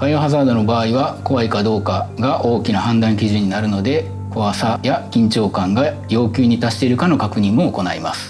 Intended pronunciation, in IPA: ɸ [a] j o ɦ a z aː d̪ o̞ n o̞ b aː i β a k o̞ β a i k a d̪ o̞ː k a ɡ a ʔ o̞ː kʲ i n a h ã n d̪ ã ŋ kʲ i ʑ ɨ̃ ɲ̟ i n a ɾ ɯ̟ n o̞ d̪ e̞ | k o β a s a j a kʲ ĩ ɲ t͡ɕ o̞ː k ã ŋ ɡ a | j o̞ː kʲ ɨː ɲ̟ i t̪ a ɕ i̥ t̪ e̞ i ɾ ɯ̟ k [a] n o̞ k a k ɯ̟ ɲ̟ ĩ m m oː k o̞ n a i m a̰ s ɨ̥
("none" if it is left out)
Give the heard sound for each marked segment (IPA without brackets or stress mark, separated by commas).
a, a